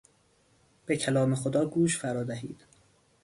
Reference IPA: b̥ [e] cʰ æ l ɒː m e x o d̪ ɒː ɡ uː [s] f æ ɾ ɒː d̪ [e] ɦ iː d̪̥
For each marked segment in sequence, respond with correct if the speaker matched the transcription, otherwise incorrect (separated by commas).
correct, incorrect, incorrect